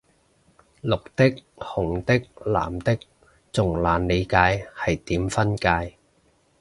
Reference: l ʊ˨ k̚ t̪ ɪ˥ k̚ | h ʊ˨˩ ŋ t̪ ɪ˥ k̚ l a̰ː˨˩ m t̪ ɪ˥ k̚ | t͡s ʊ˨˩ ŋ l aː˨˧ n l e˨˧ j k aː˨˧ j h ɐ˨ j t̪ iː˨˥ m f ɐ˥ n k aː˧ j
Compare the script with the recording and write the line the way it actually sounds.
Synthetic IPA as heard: l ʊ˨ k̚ t̪ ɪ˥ k̚ | h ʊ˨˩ ŋ t̪ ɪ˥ k̚ l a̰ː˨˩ m t̪ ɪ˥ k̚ | t͡s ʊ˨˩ ŋ l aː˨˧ n l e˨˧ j k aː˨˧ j h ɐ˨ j t̪ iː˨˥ m f ɐ˥ n k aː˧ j